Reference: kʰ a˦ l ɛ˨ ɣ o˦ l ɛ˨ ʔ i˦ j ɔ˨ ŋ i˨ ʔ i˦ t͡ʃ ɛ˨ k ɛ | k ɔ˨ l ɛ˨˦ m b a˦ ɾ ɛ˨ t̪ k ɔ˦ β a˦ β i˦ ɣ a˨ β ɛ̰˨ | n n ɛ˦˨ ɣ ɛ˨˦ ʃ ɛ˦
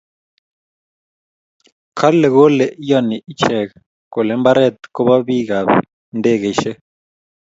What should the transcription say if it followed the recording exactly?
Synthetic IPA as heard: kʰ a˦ l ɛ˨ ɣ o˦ l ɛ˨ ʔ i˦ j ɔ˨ n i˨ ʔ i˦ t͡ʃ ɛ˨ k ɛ | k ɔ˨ l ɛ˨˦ m b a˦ ɾ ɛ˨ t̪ k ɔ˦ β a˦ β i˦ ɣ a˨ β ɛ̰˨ | n d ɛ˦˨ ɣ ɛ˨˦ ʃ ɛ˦